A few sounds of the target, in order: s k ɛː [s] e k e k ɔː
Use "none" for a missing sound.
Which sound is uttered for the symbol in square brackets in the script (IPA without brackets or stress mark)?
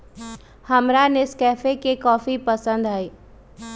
f